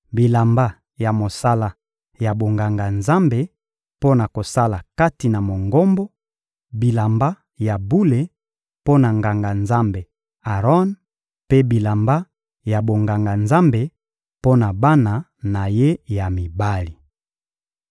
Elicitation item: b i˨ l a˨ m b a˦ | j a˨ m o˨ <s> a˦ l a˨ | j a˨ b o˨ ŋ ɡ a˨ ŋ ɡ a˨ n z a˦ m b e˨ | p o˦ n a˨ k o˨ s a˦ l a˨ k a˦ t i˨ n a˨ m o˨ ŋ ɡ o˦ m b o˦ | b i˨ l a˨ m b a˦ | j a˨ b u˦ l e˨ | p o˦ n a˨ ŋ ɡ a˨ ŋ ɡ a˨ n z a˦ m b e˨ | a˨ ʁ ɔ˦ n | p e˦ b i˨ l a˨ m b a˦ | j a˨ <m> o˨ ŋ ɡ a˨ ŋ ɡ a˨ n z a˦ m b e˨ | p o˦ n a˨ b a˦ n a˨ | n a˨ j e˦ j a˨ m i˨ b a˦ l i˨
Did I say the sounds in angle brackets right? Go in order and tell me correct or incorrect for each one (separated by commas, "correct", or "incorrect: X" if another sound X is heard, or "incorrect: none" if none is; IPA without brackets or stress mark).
correct, incorrect: b